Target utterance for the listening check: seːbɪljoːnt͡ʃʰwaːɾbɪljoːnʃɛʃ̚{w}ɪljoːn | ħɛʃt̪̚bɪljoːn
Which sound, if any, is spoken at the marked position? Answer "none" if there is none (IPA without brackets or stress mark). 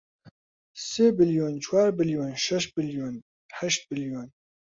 b